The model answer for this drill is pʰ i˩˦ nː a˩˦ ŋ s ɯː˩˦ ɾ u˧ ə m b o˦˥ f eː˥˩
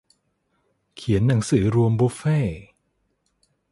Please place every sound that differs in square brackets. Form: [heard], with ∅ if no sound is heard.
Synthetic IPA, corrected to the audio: [kʰ] i˩˦ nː a˩˦ ŋ s ɯː˩˦ ɾ u˧ ə m b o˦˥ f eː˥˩